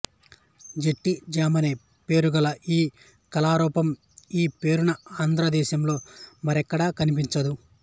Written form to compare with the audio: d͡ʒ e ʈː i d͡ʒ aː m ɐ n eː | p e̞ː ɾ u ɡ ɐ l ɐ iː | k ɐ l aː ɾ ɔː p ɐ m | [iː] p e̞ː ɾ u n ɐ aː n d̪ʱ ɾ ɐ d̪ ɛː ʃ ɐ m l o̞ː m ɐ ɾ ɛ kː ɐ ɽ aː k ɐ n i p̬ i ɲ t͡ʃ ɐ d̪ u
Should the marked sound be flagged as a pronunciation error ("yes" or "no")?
no